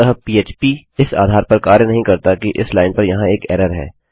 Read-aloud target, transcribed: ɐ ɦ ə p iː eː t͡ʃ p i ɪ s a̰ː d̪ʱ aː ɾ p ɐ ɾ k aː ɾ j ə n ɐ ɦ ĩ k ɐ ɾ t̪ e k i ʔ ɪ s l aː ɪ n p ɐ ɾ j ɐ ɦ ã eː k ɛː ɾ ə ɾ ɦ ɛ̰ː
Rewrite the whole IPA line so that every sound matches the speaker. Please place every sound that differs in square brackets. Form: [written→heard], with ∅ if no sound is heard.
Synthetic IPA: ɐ ɦ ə p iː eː t͡ʃ p i ɪ s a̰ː d̪ʱ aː ɾ p ɐ ɾ k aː ɾ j ə n ɐ ɦ ĩ k ɐ ɾ t̪ [e→a] k i ʔ ɪ s l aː ɪ n p ɐ ɾ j ɐ ɦ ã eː k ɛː ɾ ə ɾ ɦ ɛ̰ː